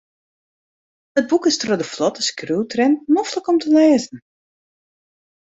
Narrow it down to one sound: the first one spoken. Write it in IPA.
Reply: ə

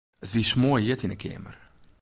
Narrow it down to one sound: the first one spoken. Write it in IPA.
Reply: ə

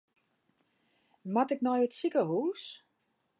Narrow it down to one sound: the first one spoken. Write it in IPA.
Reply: m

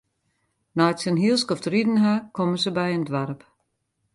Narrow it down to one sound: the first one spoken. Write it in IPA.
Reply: n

